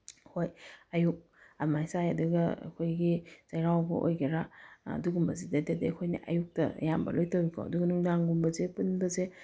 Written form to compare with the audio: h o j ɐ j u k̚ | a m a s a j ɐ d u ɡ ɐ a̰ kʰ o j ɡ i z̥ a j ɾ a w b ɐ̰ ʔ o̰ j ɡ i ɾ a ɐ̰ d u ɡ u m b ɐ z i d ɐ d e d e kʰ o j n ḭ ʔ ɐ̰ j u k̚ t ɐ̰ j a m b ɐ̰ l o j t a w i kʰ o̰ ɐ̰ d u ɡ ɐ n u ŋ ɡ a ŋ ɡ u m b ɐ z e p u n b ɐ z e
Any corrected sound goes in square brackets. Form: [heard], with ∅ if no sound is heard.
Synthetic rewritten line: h o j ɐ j u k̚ | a m a s a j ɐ d u ɡ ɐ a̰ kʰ o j ɡ i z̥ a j ɾ a w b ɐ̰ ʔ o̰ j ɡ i ɾ a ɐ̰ d u ɡ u m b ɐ z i d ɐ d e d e kʰ o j n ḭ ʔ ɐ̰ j u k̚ t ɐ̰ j a m b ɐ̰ l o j t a w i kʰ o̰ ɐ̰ d u ɡ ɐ n u ŋ [d] a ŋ ɡ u m b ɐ z e p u n b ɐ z e